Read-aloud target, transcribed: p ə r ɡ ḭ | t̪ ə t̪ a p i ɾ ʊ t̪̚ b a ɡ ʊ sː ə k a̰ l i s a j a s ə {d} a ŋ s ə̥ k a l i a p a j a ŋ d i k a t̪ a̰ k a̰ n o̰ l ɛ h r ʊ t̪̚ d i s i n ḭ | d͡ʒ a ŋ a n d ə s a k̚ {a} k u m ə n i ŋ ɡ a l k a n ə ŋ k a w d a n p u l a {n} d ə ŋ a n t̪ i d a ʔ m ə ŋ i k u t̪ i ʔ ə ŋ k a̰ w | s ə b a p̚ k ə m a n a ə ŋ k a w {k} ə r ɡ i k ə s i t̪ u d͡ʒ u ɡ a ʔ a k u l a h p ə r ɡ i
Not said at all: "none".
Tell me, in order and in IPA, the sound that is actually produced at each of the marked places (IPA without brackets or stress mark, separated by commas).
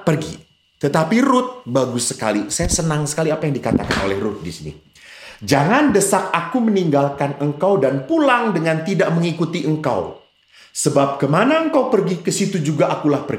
n, a, ŋ, p